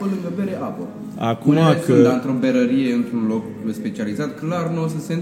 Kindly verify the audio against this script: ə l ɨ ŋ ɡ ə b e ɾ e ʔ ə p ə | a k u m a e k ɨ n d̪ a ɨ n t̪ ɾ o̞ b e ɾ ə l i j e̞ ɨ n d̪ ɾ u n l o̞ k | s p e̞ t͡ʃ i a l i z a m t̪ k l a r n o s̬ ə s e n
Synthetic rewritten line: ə l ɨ ŋ ɡ ə b e ɾ e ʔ a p ə | a k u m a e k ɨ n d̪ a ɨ n t̪ ɾ o̞ b e ɾ ə ɾ i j e̞ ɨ n t̪ ɾ u n l o̞ k | s p e̞ t͡ʃ i a l i z a t̪ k l a r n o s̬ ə s e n